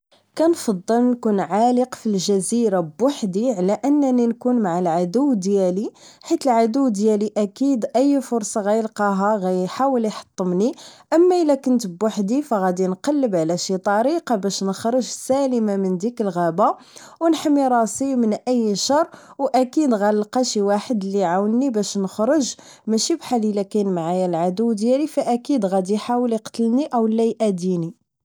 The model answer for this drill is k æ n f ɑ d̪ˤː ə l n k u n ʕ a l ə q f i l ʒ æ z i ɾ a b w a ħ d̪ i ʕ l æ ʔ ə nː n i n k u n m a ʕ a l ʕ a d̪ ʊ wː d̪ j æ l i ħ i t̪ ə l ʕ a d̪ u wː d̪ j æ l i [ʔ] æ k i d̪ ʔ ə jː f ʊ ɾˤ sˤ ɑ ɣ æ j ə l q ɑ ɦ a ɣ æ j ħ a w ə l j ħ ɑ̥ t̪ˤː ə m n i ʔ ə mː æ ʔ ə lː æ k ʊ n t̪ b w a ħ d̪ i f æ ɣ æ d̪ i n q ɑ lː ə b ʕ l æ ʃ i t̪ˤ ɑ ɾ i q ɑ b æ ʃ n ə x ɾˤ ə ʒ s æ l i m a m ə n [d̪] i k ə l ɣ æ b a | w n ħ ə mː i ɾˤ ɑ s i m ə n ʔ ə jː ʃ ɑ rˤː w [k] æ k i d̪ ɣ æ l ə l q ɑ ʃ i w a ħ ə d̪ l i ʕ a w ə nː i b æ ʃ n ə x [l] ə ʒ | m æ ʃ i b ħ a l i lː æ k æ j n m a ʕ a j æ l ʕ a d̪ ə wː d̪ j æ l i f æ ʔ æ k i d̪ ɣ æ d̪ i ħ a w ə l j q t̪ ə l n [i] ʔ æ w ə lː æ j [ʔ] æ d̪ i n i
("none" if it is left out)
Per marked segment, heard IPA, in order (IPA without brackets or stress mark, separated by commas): ʔ, d̪, ʔ, ɾ, i, ʔ